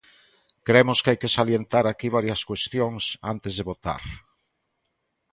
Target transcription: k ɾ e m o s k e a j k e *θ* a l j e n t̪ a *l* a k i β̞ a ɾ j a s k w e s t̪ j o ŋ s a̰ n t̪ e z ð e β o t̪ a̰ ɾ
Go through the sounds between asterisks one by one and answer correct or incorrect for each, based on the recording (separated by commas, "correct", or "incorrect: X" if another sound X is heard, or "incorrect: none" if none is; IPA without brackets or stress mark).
incorrect: s, incorrect: ɾ